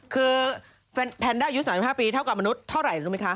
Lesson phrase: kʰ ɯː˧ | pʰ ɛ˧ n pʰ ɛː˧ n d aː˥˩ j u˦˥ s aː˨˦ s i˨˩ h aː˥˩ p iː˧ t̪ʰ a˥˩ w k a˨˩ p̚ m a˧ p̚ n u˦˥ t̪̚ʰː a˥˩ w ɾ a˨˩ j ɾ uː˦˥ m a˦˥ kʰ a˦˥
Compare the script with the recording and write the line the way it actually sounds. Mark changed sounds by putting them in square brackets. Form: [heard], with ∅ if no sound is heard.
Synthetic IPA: kʰ ɯː˧ | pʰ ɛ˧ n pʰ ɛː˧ n d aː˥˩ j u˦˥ s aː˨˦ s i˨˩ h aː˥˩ p iː˧ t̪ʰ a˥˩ w k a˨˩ p̚ m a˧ [∅] n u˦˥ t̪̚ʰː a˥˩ w ɾ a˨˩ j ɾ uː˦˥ m a˦˥ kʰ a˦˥